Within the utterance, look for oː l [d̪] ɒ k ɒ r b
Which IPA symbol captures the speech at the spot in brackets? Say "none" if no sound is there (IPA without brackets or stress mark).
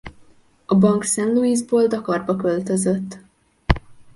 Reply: d̪